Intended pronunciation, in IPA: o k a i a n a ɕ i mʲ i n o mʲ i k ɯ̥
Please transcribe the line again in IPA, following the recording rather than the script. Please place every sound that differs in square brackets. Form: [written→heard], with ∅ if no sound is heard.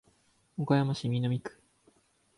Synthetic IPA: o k a [i→j] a [n→m] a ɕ i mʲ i n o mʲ i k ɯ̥